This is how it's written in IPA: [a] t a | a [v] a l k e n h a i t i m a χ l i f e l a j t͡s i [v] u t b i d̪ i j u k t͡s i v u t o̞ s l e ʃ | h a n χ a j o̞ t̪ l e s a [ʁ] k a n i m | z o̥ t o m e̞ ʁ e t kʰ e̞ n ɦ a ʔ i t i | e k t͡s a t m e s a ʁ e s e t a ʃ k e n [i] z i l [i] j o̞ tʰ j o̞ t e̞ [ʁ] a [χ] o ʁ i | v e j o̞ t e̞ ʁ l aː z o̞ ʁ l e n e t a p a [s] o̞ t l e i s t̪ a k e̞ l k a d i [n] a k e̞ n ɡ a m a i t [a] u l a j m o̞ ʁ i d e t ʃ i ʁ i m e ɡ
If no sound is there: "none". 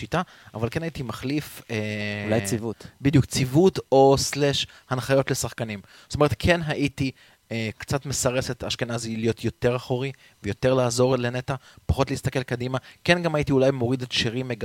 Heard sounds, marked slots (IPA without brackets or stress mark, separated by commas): i, v, v, χ, a, i, ʁ, χ, χ, m, i